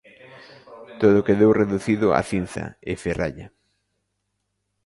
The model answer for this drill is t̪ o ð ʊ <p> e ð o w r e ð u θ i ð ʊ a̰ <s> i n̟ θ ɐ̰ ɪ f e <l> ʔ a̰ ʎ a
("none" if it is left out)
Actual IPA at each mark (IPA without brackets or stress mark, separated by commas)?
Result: k, θ, r